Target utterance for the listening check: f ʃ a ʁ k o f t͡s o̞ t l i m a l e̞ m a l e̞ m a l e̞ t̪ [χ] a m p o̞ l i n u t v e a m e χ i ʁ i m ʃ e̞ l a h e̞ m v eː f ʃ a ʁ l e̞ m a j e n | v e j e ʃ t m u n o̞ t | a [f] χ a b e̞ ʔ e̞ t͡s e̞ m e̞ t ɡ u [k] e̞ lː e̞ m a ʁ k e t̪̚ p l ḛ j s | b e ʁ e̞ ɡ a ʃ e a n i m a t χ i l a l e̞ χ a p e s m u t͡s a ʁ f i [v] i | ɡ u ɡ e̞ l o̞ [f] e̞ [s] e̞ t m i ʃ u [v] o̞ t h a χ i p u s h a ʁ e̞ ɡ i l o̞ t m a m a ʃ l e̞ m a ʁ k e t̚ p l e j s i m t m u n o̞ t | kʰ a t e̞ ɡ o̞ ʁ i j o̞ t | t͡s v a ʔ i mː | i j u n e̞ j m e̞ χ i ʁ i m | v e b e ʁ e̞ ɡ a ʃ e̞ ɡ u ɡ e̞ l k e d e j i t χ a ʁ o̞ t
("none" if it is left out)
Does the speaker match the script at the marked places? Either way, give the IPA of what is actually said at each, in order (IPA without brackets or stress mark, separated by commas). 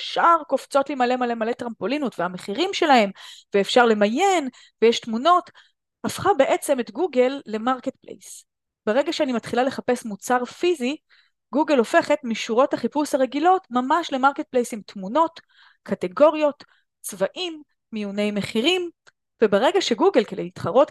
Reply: ʁ, f, ɡ, z, f, χ, ʁ